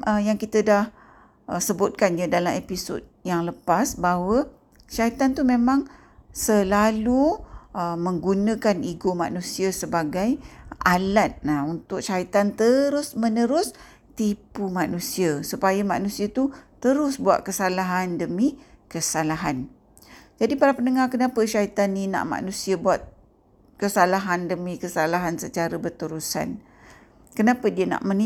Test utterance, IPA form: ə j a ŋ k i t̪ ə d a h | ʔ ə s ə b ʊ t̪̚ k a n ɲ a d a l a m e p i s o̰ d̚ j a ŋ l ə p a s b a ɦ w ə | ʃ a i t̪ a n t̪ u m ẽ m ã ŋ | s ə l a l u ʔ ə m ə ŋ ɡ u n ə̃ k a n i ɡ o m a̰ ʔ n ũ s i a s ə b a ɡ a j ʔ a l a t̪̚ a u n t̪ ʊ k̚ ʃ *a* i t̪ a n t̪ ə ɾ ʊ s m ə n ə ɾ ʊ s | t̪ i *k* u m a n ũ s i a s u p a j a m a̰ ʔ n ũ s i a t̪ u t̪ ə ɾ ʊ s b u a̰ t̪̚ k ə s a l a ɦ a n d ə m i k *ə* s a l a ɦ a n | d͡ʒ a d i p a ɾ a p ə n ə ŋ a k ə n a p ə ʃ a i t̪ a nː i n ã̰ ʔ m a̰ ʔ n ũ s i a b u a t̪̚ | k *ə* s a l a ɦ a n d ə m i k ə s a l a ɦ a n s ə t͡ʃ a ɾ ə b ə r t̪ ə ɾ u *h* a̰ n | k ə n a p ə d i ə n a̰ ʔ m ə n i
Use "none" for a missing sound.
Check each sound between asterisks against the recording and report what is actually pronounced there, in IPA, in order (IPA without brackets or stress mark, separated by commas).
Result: a, p, ə, ə, s